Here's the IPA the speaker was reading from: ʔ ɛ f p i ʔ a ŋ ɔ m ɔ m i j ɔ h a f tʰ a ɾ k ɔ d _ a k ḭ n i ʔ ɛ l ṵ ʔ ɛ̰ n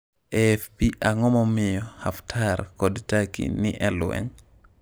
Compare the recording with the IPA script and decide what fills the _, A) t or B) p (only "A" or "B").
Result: A